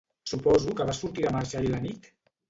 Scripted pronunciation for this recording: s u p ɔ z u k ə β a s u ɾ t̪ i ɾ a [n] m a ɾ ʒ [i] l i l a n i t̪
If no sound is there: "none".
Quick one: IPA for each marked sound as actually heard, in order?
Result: none, a

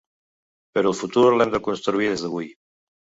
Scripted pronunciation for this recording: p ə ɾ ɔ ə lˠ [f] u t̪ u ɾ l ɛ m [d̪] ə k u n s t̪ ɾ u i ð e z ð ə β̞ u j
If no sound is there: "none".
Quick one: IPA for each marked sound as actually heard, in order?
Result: f, d̪

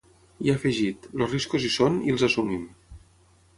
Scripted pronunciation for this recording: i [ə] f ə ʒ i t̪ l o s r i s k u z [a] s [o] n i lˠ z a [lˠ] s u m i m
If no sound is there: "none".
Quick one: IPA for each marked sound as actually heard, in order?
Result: a, i, o, none

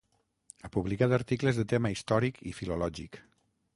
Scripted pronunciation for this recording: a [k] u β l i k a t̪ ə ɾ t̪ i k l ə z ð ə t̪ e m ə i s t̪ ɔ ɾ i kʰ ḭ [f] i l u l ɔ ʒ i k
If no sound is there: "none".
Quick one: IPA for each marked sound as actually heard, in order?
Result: p, f

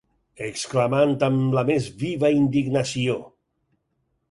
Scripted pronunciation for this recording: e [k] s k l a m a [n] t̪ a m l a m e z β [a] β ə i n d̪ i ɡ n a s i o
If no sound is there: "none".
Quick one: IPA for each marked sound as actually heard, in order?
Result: k, n, i

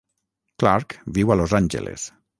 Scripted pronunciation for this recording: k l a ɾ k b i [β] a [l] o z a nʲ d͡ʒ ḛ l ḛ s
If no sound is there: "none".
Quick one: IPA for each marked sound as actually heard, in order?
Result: w, l

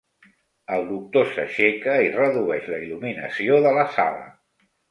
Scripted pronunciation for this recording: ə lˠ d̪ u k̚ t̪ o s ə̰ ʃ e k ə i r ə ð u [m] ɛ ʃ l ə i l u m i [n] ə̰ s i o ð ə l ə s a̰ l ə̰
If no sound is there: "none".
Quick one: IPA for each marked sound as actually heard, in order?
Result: none, n

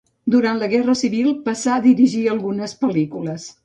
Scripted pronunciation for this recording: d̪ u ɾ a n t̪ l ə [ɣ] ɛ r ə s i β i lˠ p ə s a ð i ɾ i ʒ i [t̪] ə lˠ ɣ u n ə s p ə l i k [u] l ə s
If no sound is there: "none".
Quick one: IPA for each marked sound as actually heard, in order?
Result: ɣ, none, u

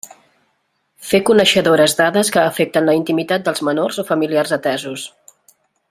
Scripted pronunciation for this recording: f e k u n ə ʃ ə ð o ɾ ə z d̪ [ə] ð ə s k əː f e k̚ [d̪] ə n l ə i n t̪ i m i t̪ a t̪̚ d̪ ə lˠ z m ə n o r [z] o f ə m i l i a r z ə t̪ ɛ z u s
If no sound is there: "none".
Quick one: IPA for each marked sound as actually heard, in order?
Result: a, t̪, z

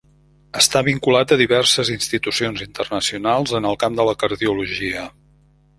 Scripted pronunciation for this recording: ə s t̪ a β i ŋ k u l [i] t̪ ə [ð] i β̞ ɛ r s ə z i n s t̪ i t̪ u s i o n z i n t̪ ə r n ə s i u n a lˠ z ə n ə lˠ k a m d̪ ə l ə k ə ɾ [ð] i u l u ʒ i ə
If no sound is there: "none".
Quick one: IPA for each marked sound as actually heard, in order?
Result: a, ð, ð

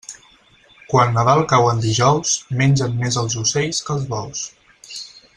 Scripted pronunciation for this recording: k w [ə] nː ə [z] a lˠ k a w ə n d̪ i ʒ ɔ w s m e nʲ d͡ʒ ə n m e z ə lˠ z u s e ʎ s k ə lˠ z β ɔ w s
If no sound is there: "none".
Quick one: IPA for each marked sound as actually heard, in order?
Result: a, ð

